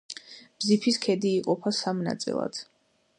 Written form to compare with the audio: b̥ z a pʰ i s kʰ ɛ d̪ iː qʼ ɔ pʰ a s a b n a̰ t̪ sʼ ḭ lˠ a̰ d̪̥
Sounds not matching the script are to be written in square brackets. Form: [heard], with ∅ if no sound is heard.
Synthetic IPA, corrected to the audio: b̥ z [i] pʰ i s kʰ ɛ d̪ iː qʼ ɔ pʰ a s a [m] n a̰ t̪ sʼ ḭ lˠ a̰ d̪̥